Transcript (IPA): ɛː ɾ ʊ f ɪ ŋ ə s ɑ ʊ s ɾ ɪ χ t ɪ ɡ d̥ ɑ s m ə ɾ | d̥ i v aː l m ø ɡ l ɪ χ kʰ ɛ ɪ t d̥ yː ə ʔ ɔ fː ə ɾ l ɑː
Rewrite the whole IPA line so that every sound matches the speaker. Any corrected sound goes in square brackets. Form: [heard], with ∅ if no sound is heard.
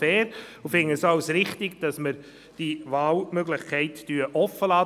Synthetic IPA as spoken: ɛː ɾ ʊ f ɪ ŋ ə s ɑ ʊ s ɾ ɪ χ t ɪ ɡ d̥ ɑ s m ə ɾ | d̥ i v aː l m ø ɡ l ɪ χ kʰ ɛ ɪ t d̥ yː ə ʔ ɔ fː ə [∅] l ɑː